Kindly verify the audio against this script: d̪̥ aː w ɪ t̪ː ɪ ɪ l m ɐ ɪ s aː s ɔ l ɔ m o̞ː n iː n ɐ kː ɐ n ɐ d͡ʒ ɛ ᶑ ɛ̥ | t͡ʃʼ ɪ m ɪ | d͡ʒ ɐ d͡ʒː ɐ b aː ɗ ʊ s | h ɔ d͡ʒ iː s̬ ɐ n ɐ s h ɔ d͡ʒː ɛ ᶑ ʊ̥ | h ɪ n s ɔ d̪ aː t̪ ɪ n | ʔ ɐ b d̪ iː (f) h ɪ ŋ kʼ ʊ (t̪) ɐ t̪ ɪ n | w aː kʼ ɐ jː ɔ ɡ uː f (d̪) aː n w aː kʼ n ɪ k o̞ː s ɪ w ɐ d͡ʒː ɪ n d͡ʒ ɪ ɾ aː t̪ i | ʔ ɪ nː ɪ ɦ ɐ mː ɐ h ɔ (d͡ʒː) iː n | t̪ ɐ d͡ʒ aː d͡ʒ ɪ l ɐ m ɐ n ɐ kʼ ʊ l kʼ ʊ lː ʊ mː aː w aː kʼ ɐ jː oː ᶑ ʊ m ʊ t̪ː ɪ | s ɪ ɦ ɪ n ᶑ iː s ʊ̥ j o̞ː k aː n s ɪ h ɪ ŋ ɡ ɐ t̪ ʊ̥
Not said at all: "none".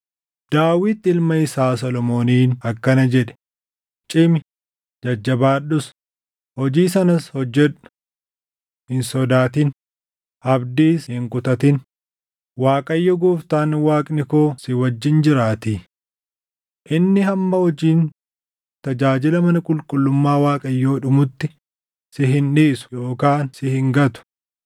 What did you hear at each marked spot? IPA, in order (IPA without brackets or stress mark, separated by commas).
s, t̪, t̪, d͡ʒ